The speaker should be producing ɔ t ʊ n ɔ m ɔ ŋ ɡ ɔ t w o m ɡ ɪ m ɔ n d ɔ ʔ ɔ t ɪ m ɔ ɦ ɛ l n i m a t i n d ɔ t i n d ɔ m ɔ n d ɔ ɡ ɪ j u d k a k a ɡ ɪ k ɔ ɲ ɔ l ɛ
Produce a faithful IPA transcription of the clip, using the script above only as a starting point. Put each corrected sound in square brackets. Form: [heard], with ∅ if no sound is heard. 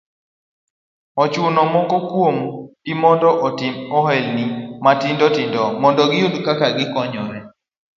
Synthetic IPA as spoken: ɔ [t͡ʃ] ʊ n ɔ m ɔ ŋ ɡ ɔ [k] w o m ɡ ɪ m ɔ n d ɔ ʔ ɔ t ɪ m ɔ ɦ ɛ l n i m a t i n d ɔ t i n d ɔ m ɔ n d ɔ ɡ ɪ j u d k a k a ɡ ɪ k ɔ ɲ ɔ [ɾ] ɛ